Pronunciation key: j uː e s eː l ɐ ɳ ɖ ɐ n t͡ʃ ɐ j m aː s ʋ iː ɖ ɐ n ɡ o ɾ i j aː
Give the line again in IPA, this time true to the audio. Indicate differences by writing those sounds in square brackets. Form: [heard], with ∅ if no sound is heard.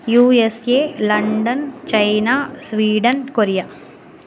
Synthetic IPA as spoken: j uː e s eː l ɐ ɳ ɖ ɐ n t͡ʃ ɐ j [n] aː s ʋ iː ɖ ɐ n [k] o ɾ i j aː